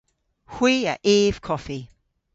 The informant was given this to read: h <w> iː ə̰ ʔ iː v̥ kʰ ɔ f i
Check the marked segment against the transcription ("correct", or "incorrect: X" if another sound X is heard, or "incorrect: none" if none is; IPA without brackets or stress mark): correct